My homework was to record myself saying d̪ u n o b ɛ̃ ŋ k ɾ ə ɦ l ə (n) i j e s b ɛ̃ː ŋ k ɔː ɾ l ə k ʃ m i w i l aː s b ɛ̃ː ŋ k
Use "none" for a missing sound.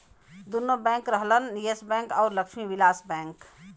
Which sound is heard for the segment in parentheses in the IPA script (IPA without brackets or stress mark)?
n